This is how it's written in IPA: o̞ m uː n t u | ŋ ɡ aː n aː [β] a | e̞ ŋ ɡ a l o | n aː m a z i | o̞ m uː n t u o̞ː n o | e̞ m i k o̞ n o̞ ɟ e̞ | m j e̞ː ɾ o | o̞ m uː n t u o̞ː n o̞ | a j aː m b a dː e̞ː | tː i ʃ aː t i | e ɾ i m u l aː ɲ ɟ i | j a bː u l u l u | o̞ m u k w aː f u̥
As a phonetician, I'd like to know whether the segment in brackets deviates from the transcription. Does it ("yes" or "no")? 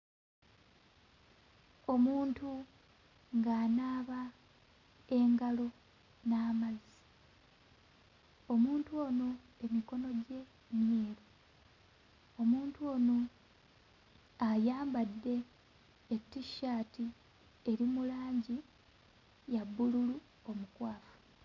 no